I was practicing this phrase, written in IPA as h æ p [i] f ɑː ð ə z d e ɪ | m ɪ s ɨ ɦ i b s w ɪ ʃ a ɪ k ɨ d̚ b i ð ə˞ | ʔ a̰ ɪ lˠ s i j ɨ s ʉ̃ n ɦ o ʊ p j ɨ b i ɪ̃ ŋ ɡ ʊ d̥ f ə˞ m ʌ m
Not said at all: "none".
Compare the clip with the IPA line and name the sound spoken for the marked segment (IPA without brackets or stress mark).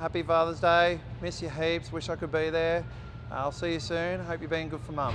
i